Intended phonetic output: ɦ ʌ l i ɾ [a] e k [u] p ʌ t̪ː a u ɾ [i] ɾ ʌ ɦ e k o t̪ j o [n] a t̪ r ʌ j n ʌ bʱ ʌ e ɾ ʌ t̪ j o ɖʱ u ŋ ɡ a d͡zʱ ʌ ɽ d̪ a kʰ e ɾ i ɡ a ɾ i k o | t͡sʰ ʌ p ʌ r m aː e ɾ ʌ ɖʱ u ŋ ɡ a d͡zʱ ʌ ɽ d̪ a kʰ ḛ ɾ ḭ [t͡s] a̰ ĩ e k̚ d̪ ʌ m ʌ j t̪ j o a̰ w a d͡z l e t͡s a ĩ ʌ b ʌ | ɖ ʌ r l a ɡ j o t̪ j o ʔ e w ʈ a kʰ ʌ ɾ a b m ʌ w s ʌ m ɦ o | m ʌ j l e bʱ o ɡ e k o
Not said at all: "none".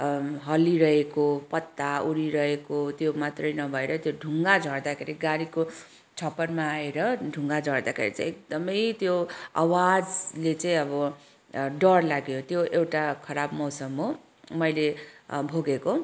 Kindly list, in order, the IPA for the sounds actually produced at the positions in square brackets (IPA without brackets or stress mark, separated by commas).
ʌ, o, i, m, t͡s